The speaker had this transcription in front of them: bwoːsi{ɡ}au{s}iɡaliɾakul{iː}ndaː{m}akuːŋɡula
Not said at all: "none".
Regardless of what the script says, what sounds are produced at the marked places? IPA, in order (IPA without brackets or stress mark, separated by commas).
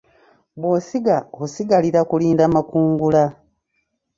ɡ, s, iː, m